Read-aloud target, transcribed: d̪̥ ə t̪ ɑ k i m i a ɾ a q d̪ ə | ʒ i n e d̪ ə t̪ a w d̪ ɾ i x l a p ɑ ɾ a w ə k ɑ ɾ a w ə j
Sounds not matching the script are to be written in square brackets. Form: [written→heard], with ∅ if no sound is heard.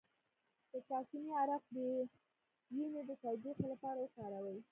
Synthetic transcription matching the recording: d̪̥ ə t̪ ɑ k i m i a ɾ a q d̪ ə | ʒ i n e d̪ ə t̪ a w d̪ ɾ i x l a p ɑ ɾ a w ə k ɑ ɾ a w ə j